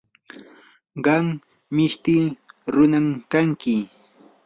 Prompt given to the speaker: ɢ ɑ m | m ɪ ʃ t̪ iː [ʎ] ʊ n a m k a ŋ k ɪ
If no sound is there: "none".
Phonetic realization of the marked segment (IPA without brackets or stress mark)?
ɾ